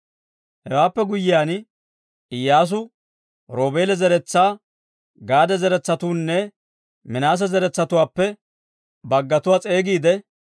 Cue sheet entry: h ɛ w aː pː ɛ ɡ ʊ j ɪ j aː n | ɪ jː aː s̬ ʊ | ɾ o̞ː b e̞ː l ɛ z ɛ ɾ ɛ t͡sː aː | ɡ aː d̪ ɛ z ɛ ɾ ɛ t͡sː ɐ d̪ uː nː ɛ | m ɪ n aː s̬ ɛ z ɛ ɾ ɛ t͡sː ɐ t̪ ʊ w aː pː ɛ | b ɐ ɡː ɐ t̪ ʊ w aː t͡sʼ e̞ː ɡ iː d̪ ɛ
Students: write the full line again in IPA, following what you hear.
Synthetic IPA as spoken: h ɛ w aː pː ɛ ɡ ʊ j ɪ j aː n | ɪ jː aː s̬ ʊ | ɾ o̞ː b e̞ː l ɛ z ɛ ɾ ɛ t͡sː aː | ɡ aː d̪ ɛ z ɛ ɾ ɛ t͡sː ɐ t̪ uː nː ɛ | m ɪ n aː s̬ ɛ z ɛ ɾ ɛ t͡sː ɐ t̪ ʊ w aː pː ɛ | b ɐ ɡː ɐ t̪ ʊ w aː t͡sʼ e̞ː ɡ iː d̪ ɛ